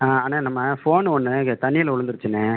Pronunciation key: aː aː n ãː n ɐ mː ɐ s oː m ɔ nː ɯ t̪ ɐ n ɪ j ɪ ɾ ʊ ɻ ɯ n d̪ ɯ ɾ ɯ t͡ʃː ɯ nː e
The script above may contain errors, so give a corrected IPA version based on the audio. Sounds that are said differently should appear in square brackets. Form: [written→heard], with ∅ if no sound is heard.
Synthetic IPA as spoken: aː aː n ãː n ɐ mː ɐ [s→f] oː [m→n] ɔ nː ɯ t̪ ɐ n ɪ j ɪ [ɾ→l] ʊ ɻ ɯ n d̪ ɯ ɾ ɯ t͡ʃː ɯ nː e